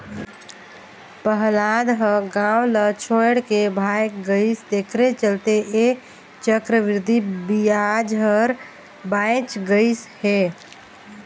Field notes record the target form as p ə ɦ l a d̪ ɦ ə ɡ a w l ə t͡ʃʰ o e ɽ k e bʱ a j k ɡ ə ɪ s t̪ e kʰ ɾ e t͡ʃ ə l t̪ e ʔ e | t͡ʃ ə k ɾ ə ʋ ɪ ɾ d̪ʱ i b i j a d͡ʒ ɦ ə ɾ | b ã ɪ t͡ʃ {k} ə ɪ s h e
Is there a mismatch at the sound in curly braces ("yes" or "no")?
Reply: yes